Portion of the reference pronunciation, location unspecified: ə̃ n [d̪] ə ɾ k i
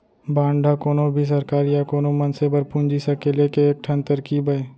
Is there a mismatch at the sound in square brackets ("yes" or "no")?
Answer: yes